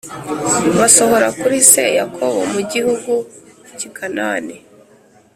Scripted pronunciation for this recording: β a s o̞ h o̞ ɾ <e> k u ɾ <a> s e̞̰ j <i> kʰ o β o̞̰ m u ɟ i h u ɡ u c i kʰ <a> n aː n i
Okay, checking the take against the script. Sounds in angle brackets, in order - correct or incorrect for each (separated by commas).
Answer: incorrect, incorrect, incorrect, correct